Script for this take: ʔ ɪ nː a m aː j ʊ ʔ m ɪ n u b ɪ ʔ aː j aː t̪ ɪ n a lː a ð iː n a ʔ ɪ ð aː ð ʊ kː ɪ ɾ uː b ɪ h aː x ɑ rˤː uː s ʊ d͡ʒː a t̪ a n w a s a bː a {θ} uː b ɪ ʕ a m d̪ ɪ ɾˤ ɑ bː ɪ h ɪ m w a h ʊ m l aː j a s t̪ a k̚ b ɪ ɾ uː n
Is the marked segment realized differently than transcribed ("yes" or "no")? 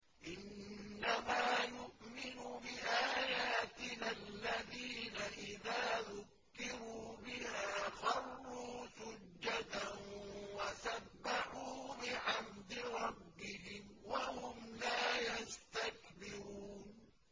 yes